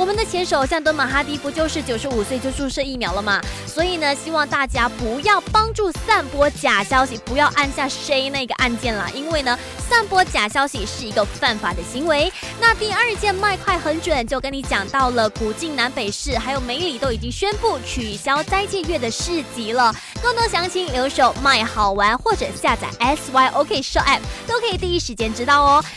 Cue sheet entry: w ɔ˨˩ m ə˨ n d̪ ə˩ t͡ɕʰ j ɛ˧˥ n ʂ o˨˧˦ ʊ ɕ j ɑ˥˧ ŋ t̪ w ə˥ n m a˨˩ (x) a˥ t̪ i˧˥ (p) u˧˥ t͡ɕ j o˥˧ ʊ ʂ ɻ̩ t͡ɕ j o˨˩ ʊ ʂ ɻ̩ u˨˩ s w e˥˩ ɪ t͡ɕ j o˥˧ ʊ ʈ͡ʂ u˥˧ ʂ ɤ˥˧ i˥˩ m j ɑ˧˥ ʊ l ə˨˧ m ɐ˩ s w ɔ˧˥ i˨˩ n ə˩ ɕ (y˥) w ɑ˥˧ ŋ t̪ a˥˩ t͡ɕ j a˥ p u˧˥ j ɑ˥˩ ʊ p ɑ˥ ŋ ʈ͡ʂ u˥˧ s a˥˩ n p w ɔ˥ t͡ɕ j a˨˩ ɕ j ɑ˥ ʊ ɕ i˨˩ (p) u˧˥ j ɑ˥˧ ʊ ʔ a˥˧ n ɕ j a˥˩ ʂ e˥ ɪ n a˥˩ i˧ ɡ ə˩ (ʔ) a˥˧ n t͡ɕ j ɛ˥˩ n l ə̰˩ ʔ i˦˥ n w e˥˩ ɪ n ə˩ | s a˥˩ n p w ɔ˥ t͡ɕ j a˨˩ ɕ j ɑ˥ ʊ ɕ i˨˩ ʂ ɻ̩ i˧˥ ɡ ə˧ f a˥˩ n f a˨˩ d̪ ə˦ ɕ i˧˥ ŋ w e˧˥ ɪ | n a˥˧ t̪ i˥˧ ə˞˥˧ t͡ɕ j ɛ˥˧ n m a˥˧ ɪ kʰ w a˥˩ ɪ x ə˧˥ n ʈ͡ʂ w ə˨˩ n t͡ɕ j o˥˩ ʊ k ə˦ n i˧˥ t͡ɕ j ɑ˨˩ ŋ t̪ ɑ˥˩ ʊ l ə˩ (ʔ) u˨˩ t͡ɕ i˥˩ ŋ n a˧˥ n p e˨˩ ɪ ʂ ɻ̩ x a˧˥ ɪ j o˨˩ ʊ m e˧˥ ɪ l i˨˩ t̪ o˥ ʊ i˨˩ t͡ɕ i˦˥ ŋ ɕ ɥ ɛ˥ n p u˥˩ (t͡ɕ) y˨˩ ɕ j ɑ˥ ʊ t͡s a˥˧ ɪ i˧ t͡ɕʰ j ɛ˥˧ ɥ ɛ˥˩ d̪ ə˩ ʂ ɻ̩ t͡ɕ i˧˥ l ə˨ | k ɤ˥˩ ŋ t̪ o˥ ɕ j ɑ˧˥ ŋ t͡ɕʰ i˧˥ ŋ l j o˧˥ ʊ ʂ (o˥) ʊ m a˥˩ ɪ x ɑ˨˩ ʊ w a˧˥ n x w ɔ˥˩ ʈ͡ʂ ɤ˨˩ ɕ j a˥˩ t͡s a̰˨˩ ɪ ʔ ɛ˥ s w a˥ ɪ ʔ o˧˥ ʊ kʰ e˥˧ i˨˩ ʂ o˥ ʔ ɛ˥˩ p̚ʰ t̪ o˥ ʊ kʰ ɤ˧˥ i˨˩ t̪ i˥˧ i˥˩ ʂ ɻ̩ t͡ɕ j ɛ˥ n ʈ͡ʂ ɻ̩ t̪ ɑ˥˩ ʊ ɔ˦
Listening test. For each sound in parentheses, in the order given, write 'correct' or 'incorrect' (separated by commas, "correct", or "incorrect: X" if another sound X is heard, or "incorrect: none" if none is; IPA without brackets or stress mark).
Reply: correct, correct, incorrect: i˥, correct, correct, incorrect: k, incorrect: t͡ɕʰ, incorrect: o˨˩